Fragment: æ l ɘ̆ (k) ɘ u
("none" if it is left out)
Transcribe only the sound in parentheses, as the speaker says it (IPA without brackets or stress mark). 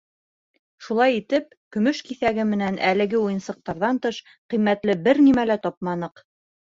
ɡ